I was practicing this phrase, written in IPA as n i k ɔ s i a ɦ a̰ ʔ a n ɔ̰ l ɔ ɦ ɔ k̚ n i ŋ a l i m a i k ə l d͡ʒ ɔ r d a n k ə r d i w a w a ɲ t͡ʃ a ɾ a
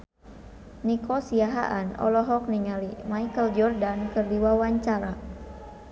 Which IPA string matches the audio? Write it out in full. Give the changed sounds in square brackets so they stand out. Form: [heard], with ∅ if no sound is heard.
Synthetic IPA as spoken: n i k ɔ s i a ɦ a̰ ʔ a n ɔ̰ l ɔ ɦ ɔ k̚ n i ŋ a l i m a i k ə l d͡ʒ ɔ r d a n k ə r d i w a w a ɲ t͡ʃ a ɾ a

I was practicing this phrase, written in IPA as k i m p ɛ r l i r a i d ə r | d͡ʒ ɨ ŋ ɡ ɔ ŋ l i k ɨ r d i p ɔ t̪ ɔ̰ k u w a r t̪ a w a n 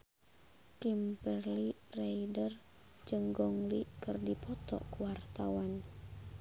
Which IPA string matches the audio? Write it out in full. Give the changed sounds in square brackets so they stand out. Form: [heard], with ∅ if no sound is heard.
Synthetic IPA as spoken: k i m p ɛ r l i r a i d ə r | d͡ʒ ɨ ŋ ɡ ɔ ŋ l i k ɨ r d i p ɔ t̪ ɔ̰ k u w a r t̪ a w a n

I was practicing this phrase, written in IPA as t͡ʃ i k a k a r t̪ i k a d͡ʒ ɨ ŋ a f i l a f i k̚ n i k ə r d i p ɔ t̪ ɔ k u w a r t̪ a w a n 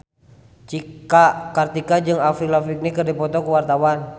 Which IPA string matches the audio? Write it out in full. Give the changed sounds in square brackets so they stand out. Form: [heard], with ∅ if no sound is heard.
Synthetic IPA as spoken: t͡ʃ i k a k a r t̪ i k a d͡ʒ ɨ ŋ a f i l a f i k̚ n i k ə r d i p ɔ t̪ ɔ k u w a r t̪ a w a n

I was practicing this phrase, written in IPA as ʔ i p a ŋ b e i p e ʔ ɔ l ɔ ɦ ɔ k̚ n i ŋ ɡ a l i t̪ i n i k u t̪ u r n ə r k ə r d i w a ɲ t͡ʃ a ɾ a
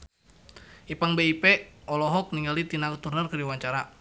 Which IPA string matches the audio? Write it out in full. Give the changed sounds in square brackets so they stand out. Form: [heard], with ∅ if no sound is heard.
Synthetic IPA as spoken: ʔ i p a ŋ b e i p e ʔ ɔ l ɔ ɦ ɔ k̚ n i ŋ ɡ a l i t̪ i n [a] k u t̪ u r n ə r k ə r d i w a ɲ t͡ʃ a ɾ a

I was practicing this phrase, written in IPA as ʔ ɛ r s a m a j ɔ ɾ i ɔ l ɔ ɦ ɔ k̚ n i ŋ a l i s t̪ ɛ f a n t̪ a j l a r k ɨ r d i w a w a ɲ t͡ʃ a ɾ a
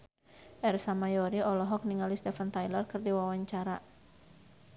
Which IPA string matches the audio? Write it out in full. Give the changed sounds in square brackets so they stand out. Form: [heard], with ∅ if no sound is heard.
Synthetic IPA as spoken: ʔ ɛ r s a m a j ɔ ɾ i ɔ l ɔ ɦ ɔ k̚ n i ŋ a l i s t̪ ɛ f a n t̪ a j l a r k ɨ r d i w a w a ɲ t͡ʃ a ɾ a

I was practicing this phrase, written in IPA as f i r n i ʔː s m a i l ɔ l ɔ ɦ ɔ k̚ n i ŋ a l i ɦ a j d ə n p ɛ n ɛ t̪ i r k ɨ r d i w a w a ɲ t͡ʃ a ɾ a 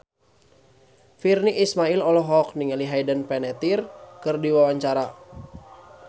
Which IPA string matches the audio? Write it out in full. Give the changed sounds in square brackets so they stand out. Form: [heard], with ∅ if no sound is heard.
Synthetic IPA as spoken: f i r n i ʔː s m a i l ɔ l ɔ ɦ ɔ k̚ n i ŋ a l i ɦ a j d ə n p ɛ n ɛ t̪ i r k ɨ r d i w a w a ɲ t͡ʃ a ɾ a

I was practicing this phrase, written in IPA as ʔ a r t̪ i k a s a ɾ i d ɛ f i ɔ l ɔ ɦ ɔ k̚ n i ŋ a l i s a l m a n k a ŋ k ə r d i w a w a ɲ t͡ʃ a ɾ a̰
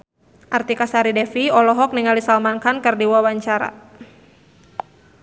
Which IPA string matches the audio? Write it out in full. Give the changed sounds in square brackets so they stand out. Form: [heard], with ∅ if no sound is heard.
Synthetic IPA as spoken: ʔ a r t̪ i k a s a ɾ i d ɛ f i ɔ l ɔ ɦ ɔ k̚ n i ŋ a l i s a l m a n k a [n] k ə r d i w a w a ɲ t͡ʃ a ɾ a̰

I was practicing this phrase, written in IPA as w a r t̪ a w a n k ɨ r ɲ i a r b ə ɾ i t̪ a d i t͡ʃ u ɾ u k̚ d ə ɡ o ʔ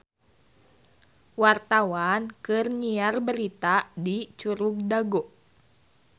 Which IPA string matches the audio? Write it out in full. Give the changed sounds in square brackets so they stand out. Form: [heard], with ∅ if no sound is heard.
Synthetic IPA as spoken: w a r t̪ a w a n k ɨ r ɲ i a r b ə ɾ i t̪ a d i t͡ʃ u ɾ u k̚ d [a] ɡ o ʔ

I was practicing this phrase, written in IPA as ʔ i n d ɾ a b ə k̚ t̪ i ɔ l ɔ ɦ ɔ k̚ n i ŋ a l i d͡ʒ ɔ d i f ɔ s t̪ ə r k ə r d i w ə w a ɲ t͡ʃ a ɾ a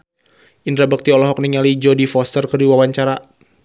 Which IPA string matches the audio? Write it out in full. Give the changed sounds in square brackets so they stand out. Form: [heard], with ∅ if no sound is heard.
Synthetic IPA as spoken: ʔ i n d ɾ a b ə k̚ t̪ i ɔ l ɔ ɦ ɔ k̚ n i ŋ a l i d͡ʒ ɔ d i f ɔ s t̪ ə r k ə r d i w [a] w a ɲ t͡ʃ a ɾ a

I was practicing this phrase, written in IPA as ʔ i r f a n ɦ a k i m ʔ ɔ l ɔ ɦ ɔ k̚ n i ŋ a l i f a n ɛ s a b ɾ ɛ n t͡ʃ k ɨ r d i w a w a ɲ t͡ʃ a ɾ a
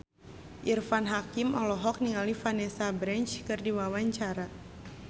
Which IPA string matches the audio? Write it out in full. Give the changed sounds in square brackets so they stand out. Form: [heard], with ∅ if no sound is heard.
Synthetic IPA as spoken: ʔ i r f a n ɦ a k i m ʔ ɔ l ɔ ɦ ɔ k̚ n i ŋ a l i f a n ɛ s a b ɾ ɛ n t͡ʃ k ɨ r d i w a w a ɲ t͡ʃ a ɾ a

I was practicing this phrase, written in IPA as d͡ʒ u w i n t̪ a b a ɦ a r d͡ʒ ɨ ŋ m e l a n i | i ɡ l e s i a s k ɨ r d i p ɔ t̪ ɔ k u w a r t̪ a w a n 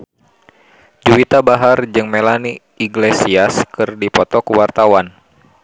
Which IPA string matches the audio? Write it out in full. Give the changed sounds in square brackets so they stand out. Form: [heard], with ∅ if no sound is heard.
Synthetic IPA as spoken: d͡ʒ u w i [∅] t̪ a b a ɦ a r d͡ʒ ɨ ŋ m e l a n i | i ɡ l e s i a s k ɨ r d i p ɔ t̪ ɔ k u w a r t̪ a w a n

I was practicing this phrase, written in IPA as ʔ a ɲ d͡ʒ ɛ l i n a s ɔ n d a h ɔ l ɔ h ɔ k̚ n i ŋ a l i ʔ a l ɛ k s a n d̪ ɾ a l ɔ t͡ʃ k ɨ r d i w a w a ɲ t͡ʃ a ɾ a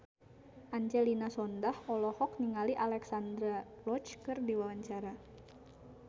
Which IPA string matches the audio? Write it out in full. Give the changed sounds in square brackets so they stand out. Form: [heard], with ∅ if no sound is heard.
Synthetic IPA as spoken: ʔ a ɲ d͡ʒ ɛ l i n a s ɔ n d a h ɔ l ɔ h ɔ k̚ n i ŋ a l i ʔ a l ɛ k s a n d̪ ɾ a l ɔ t͡ʃ k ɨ r d i w a w a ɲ t͡ʃ a ɾ a

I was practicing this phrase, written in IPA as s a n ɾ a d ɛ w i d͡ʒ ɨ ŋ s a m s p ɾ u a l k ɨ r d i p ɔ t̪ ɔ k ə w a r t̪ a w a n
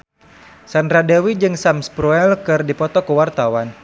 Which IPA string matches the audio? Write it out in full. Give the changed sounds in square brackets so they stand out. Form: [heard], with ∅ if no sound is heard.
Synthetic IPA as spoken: s a n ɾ a d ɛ w i d͡ʒ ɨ ŋ s a m s p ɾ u [ɛ] l k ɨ r d i p ɔ t̪ ɔ k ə w a r t̪ a w a n

